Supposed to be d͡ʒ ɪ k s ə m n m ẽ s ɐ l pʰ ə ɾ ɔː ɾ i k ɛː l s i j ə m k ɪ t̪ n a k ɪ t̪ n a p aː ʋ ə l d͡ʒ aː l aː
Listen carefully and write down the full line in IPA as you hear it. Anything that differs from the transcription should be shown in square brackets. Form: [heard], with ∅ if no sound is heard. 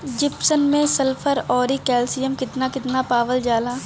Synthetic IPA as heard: d͡ʒ ɪ [p] s ə [∅] n m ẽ s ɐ l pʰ ə ɾ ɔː ɾ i k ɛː l s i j ə m k ɪ t̪ n a k ɪ t̪ n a p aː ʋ ə l d͡ʒ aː l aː